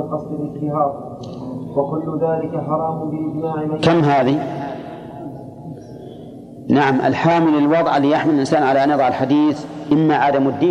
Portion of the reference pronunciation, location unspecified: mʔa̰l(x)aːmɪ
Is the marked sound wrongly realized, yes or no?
yes